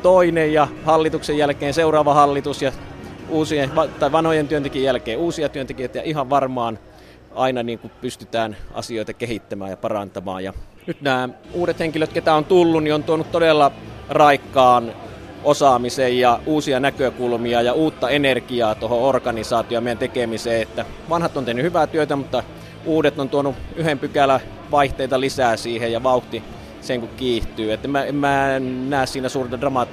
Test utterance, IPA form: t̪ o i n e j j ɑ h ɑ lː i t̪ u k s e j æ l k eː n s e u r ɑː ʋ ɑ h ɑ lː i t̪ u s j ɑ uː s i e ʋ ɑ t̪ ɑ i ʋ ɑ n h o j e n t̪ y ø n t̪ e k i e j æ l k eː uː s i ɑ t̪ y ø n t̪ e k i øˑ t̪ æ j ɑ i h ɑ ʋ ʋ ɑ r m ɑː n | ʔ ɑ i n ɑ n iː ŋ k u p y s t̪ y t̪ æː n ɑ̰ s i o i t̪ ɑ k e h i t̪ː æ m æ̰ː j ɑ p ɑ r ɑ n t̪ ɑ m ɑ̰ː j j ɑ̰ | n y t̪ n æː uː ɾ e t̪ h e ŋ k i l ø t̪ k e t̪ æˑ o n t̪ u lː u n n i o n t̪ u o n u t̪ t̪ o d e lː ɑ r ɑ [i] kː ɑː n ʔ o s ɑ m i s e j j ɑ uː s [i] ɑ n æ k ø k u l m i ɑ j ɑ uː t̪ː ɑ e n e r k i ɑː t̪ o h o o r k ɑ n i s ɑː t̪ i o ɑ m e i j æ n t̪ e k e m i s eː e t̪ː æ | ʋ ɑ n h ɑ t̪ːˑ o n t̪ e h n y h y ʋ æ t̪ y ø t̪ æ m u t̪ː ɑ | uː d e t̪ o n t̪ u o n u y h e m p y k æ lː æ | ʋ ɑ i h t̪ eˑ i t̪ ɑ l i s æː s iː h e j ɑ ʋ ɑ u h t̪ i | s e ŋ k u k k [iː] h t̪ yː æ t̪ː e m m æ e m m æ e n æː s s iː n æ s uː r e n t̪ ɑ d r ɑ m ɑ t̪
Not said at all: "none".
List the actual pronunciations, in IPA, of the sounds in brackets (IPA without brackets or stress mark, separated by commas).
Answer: i, i, iː